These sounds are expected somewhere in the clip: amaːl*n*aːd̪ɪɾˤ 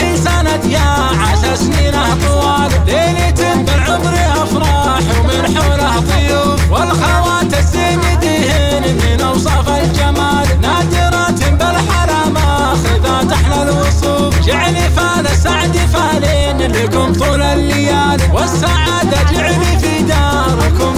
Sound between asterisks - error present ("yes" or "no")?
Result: no